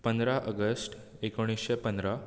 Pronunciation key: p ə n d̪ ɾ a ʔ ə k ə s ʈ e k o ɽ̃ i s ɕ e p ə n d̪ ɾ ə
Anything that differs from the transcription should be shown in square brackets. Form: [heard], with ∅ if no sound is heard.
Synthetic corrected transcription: p ə n d̪ ɾ a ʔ ə [ɡ] ə s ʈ e k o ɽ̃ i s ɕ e p ə n d̪ ɾ [a]